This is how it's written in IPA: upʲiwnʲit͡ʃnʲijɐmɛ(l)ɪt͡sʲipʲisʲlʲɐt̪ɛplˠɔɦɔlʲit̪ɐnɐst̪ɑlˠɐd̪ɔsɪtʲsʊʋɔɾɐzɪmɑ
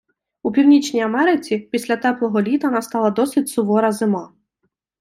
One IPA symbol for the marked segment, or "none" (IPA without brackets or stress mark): ɾ